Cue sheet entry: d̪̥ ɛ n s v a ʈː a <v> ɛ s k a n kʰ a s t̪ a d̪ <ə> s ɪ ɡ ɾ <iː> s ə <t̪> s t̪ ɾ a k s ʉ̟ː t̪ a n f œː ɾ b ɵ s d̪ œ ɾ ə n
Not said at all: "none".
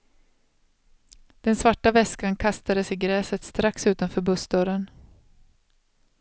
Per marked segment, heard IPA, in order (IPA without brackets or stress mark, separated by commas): v, ə, ɛː, t̪